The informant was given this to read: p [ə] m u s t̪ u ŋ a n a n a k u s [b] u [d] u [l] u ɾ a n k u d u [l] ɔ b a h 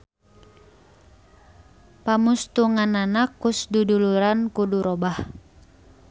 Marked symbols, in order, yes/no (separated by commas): no, no, yes, yes, no